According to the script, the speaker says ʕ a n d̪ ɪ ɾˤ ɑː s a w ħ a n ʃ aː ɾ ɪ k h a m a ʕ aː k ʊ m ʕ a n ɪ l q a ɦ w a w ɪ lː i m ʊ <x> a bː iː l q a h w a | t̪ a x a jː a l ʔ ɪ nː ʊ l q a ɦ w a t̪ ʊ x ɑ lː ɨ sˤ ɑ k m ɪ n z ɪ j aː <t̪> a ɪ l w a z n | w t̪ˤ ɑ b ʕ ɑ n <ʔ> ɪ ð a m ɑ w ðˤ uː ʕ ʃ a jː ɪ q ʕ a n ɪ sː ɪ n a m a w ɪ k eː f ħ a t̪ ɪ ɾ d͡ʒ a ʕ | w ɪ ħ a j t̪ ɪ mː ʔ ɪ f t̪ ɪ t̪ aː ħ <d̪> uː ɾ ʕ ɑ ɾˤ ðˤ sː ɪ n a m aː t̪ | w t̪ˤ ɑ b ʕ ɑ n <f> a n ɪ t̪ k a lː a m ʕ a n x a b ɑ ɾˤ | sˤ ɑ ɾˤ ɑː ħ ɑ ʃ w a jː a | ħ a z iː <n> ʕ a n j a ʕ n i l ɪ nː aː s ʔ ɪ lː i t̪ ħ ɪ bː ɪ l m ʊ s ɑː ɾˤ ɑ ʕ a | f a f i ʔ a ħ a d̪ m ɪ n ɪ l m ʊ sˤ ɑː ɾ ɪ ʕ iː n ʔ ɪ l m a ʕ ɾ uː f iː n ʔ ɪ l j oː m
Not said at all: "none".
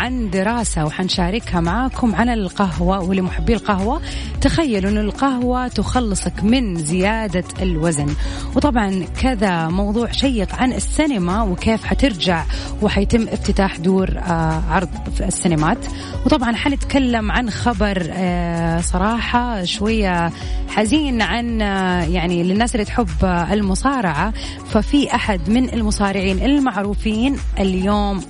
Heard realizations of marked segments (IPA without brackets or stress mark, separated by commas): ħ, d̪, k, d̪, ħ, n